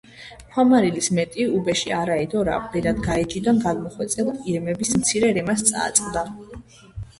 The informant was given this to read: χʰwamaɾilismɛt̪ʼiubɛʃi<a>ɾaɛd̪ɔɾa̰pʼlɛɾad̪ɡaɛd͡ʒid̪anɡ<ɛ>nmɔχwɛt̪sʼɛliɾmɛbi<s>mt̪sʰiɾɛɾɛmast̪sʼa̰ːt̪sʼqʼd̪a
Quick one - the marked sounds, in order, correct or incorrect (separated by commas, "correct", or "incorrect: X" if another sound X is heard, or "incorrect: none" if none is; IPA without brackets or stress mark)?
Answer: correct, incorrect: a, correct